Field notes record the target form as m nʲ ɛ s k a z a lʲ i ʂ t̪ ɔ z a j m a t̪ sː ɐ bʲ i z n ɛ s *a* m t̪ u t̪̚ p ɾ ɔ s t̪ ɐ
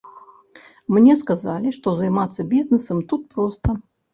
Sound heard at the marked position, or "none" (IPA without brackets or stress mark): ɐ